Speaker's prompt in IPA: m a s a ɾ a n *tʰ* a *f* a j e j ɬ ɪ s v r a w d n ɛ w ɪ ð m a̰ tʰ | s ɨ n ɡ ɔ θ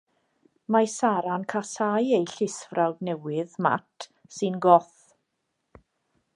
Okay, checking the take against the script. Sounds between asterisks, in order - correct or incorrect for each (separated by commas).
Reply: incorrect, incorrect